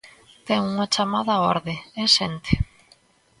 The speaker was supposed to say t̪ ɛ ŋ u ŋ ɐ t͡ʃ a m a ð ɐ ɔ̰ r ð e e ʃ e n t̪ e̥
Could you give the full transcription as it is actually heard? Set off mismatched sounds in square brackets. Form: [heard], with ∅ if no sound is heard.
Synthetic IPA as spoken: t̪ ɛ ŋ u ŋ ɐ t͡ʃ a m a ð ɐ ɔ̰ [ɾ] ð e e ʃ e n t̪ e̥